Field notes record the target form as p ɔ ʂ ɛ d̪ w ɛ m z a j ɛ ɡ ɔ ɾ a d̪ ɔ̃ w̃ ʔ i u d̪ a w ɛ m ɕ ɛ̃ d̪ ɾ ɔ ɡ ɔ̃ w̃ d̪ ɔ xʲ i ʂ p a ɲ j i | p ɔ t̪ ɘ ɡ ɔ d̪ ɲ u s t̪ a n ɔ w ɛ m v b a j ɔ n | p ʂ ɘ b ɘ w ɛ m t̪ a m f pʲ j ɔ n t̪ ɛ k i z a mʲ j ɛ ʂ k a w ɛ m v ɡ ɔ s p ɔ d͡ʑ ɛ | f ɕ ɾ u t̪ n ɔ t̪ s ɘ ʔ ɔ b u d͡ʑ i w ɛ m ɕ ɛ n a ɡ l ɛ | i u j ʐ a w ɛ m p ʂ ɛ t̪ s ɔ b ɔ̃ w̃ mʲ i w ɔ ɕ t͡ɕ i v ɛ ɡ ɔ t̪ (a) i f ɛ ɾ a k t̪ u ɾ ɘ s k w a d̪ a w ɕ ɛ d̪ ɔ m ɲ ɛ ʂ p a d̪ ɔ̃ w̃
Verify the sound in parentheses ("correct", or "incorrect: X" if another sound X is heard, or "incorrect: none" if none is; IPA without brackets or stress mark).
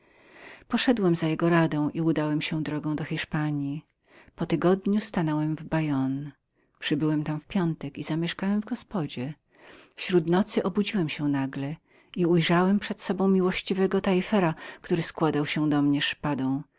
correct